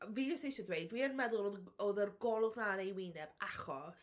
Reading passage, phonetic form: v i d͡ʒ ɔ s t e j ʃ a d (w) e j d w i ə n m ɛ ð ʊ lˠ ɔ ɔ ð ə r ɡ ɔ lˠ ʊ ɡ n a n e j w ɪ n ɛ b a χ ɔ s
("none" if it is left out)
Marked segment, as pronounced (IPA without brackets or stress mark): w